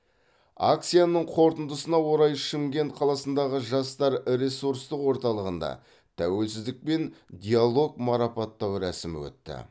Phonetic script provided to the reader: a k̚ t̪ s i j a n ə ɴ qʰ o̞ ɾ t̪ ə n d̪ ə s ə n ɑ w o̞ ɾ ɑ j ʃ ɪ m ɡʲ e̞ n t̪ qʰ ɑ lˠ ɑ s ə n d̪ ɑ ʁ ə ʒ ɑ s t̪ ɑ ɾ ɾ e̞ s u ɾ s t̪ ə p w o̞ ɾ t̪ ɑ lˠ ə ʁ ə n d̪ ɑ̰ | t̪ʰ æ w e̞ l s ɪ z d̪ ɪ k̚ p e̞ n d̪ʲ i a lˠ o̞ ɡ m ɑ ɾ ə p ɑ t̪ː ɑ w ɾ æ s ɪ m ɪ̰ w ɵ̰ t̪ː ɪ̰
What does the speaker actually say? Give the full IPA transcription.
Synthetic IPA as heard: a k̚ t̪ s i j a n ə ɴ qʰ o̞ ɾ t̪ ə n d̪ ə s ə n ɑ w o̞ ɾ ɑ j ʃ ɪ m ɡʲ e̞ n t̪ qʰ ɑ lˠ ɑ s ə n d̪ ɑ ʁ ə ʒ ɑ s t̪ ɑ ɾ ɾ e̞ s u ɾ s t̪ ə q w o̞ ɾ t̪ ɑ lˠ ə ʁ ə n d̪ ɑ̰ | t̪ʰ æ w e̞ l s ɪ z d̪ ɪ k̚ p e̞ n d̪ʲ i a lˠ o̞ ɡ m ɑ ɾ ɑ p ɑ t̪ː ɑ w ɾ æ s ɪ m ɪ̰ w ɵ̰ t̪ː ɪ̰